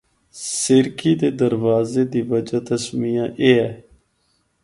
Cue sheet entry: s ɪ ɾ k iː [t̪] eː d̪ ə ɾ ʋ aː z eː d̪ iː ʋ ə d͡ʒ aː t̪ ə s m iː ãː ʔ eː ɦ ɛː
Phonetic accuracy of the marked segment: incorrect: d̪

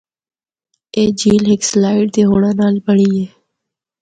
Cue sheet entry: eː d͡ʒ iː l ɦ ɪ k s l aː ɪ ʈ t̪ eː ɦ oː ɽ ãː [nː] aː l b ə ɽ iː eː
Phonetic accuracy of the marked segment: incorrect: n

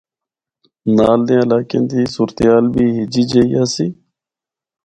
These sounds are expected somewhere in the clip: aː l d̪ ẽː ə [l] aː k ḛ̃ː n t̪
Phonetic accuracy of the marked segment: correct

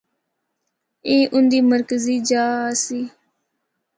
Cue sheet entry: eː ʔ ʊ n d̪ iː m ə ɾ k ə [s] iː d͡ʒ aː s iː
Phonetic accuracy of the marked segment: incorrect: z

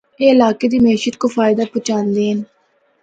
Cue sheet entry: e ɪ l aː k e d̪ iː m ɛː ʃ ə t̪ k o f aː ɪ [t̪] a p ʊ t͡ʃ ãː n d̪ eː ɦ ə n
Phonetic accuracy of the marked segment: incorrect: d̪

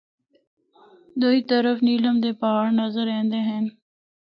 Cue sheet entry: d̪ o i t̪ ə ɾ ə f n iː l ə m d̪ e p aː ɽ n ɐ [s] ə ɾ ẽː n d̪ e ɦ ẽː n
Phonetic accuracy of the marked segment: incorrect: z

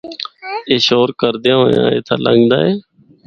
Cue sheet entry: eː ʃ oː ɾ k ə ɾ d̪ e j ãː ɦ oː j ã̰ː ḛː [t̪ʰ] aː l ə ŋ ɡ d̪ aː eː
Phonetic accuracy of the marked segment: correct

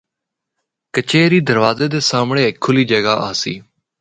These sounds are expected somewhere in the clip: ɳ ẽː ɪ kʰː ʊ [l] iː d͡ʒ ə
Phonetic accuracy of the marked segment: correct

